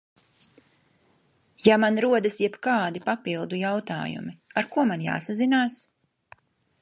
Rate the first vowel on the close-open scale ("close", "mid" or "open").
open